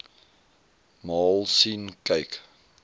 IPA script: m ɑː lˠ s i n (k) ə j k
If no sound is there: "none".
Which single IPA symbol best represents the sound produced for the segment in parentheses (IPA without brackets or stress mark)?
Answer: k